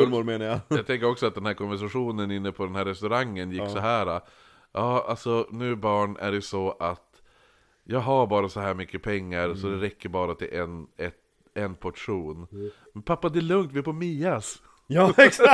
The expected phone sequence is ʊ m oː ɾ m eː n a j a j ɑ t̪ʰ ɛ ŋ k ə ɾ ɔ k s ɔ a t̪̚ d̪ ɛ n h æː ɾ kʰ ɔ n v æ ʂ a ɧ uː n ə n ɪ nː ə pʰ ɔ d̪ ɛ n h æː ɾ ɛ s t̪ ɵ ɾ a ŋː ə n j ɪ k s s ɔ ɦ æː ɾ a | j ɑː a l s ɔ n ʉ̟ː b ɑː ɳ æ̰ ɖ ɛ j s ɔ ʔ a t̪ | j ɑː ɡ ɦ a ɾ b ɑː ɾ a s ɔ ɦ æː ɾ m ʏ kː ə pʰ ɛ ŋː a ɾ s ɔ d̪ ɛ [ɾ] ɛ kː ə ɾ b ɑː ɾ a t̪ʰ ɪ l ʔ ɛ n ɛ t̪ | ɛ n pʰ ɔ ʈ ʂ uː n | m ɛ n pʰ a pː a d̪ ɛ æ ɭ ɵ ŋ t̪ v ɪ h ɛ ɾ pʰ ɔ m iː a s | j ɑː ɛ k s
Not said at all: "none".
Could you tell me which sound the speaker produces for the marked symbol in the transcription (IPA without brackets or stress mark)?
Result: ɾ